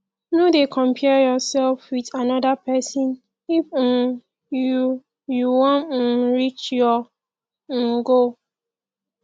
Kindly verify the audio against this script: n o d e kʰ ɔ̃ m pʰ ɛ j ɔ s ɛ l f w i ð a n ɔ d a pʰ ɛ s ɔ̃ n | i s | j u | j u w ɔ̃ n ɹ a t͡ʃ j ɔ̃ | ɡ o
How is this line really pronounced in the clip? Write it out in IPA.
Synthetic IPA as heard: n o d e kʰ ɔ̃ m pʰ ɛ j ɔ s ɛ l f w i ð a n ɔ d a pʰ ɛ s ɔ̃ n | i f | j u | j u w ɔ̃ n ɹ i t͡ʃ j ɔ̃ | ɡ o